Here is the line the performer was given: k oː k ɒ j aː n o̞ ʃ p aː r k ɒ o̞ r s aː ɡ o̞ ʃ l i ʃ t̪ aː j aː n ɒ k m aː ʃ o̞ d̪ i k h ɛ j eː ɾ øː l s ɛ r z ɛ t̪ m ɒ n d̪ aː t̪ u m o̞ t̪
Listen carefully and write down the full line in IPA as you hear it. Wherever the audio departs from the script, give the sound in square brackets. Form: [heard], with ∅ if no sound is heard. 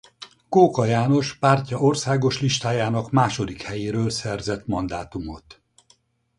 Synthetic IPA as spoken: k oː k ɒ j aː n o̞ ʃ p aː r [c] ɒ o̞ r s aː ɡ o̞ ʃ l i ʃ t̪ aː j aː n ɒ k m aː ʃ o̞ d̪ i k h ɛ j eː ɾ øː l s ɛ r z ɛ t̪ m ɒ n d̪ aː t̪ u m o̞ t̪